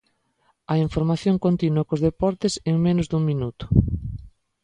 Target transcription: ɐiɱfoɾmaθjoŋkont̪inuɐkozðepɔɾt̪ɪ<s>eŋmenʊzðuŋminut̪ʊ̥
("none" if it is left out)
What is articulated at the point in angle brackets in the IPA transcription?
s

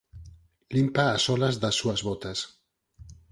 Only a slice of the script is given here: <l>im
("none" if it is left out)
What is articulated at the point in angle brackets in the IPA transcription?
l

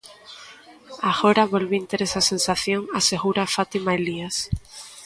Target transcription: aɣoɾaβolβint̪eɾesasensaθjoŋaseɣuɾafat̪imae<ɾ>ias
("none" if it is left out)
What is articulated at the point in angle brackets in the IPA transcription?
l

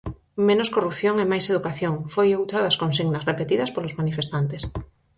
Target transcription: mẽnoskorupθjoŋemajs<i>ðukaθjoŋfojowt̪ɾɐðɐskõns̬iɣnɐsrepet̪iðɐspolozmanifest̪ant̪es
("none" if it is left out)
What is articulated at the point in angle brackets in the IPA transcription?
e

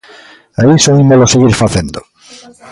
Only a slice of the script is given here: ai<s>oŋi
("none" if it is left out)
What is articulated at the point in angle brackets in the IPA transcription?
s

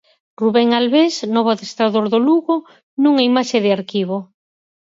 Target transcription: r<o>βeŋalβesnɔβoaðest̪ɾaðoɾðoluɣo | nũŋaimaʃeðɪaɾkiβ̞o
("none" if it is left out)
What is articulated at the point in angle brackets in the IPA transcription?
u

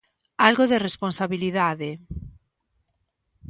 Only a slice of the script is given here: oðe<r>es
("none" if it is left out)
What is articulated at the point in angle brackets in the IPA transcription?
r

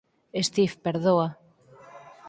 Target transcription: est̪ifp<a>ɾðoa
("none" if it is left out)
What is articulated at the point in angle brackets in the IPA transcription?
e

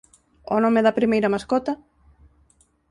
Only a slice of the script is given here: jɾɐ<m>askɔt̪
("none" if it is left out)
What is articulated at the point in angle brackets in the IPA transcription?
m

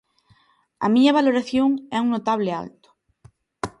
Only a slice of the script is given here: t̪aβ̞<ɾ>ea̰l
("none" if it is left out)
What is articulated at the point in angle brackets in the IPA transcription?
l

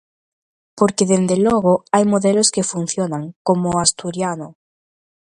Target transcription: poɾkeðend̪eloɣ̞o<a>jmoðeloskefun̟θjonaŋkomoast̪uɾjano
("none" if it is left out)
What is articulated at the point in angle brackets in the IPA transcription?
a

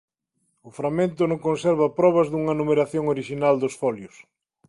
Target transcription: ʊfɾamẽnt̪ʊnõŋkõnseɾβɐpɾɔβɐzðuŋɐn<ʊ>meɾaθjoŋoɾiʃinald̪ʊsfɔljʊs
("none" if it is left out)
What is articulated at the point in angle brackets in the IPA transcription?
u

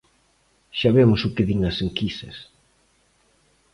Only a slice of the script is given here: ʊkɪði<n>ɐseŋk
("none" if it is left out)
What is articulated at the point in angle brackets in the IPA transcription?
ŋ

